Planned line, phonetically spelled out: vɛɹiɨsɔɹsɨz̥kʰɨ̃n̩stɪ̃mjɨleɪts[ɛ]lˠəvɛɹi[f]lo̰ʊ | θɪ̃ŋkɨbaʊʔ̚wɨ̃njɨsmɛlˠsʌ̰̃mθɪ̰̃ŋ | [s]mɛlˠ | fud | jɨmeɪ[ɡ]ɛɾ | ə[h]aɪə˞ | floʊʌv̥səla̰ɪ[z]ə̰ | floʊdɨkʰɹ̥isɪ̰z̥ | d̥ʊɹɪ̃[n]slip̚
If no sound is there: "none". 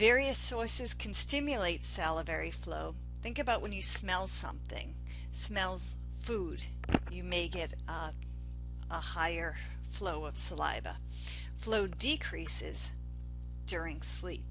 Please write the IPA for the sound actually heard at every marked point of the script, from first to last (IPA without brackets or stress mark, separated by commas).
æ, f, s, ɡ, h, v, ŋ